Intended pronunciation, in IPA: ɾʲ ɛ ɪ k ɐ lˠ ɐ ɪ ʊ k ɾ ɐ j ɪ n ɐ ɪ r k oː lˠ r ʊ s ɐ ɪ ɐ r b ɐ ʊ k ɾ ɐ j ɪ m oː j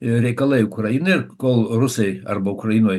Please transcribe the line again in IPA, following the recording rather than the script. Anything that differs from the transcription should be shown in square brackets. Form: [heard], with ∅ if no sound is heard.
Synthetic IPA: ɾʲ ɛ ɪ k ɐ lˠ ɐ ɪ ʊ k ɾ ɐ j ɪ n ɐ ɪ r k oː lˠ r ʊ s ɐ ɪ ɐ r b ɐ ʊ k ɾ ɐ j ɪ [n] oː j